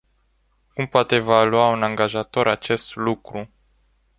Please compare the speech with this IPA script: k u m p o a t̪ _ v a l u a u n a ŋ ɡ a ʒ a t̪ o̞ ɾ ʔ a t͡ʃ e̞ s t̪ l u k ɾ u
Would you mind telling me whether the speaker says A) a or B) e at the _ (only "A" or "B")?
B